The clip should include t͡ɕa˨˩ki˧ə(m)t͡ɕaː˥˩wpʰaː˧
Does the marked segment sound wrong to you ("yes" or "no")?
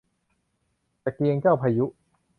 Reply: yes